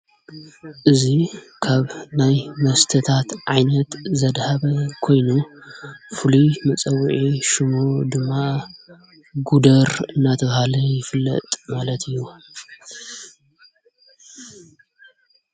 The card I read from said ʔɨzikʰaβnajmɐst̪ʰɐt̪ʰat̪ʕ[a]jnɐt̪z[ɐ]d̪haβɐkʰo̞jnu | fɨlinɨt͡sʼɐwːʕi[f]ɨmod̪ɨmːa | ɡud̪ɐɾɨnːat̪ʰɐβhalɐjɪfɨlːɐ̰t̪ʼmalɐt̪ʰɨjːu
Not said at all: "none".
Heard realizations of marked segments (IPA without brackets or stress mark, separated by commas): a, ɐ, ʃ